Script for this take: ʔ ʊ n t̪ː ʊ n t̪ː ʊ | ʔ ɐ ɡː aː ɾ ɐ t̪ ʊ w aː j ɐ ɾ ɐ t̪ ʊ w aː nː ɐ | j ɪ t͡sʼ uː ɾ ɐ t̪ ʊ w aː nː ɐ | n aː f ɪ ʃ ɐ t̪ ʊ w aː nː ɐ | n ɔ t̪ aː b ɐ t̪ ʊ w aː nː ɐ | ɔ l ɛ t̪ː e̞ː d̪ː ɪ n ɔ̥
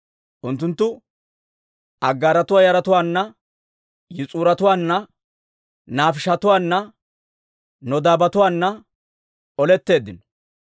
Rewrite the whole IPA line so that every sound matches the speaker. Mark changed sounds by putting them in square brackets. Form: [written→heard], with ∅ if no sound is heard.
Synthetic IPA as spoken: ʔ ʊ n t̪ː ʊ n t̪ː ʊ | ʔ ɐ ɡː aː ɾ ɐ t̪ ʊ w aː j ɐ ɾ ɐ t̪ ʊ w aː nː ɐ | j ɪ t͡sʼ uː ɾ ɐ t̪ ʊ w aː nː ɐ | n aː f ɪ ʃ ɐ t̪ ʊ w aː nː ɐ | n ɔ [t̪→d̪] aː b ɐ t̪ ʊ w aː nː ɐ | ɔ l ɛ t̪ː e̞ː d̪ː ɪ n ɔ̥